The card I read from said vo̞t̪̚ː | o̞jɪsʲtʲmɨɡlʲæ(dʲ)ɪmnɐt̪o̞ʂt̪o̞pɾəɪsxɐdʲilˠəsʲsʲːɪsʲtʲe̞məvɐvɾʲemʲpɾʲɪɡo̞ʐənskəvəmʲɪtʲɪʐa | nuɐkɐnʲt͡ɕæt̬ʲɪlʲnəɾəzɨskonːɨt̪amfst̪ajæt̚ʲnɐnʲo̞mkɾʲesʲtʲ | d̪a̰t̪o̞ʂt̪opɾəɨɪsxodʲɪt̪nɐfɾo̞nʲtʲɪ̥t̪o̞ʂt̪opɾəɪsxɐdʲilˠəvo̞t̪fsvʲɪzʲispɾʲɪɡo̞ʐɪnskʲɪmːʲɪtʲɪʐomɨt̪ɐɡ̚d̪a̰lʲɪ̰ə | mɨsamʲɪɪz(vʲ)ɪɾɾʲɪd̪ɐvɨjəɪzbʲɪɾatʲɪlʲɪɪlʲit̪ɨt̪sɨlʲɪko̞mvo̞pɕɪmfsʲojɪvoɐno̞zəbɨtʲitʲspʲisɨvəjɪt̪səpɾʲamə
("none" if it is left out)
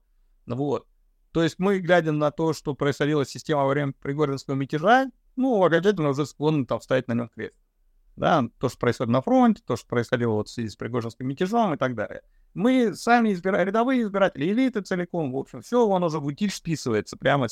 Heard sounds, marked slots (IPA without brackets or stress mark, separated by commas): dʲ, bʲ